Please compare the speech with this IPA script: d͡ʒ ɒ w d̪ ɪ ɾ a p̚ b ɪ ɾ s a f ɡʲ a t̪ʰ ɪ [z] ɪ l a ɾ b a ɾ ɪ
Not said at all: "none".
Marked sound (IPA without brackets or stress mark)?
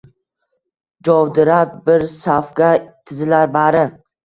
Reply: z